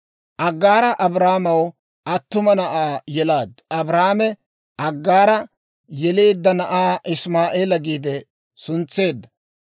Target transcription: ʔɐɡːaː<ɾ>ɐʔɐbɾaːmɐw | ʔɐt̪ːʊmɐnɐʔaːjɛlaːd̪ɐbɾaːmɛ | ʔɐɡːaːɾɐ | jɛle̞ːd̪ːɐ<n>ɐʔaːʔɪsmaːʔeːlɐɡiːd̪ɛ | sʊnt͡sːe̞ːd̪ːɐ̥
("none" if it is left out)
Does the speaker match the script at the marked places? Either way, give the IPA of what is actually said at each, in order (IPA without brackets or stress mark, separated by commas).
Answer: ɾ, n